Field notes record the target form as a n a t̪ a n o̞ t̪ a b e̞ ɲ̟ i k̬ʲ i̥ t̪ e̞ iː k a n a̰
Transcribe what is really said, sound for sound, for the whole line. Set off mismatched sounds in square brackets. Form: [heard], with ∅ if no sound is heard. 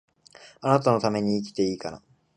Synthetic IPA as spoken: a n a t̪ a n o̞ t̪ a [m] e̞ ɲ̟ [iː] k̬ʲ i̥ t̪ e̞ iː k a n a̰